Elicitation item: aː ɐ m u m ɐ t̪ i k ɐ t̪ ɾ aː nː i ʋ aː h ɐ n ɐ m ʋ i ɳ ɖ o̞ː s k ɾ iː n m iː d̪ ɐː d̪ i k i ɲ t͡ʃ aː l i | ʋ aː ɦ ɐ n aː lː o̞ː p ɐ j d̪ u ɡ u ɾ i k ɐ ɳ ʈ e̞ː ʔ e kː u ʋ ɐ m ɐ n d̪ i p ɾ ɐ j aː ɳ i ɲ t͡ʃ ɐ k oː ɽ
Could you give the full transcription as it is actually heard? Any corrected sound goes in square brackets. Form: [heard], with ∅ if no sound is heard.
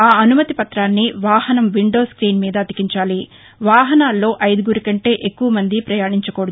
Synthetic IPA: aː ɐ [n] u m ɐ t̪ i [p] ɐ t̪ ɾ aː nː i ʋ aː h ɐ n ɐ m ʋ i ɳ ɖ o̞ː s k ɾ iː n m iː d̪ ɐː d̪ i k i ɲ t͡ʃ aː l i | ʋ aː ɦ ɐ n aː lː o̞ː [ʔ] ɐ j d̪ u ɡ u ɾ i k ɐ ɳ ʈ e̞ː ʔ e kː u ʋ ɐ m ɐ n d̪ i p ɾ ɐ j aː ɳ i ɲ t͡ʃ ɐ k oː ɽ